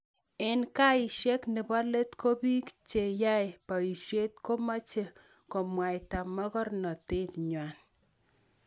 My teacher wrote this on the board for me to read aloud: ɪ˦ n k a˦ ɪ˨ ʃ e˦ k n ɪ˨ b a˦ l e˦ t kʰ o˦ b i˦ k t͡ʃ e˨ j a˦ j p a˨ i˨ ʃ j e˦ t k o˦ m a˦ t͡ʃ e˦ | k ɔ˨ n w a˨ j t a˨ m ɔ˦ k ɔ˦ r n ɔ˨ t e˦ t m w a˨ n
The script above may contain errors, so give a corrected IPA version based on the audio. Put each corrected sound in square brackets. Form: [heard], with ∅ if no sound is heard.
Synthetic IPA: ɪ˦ n k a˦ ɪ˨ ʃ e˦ k n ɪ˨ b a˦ l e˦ t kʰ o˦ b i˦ k t͡ʃ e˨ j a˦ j p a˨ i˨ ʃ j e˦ t k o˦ m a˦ t͡ʃ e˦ | k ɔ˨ [m] w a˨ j t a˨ m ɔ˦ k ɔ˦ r n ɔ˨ t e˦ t [ɲ] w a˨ n